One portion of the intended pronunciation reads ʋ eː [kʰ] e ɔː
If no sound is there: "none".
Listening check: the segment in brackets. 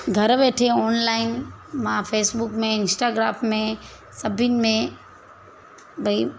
ʈʰ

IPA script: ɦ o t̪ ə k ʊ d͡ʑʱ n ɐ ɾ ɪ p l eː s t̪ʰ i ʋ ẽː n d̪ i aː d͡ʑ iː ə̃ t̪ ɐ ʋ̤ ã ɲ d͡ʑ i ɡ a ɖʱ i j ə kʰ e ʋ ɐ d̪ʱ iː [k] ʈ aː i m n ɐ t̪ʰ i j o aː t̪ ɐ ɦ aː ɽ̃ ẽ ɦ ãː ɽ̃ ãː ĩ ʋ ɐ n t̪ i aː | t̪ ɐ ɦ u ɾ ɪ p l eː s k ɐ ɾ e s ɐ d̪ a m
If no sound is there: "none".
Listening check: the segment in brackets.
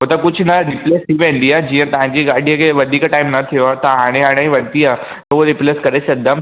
k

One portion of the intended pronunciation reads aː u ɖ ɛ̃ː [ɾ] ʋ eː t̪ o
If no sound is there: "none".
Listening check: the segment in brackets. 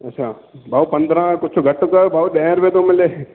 ɾ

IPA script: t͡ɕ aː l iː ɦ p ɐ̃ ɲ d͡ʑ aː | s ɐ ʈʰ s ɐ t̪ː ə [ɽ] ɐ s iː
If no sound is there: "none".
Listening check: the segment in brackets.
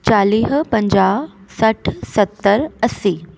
ɾ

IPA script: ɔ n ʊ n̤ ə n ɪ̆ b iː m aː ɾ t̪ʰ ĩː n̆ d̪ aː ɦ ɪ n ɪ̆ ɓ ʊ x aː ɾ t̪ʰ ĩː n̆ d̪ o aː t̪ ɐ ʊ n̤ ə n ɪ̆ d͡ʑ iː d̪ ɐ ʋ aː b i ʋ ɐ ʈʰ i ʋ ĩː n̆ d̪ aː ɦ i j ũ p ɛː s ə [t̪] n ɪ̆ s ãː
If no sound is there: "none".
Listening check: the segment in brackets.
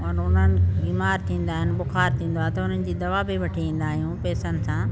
none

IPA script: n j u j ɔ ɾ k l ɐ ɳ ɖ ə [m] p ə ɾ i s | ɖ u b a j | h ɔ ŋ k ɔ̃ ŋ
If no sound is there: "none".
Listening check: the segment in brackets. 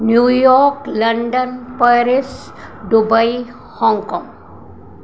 n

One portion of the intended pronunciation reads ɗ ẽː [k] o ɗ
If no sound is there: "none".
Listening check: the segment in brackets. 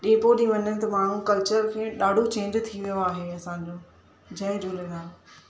p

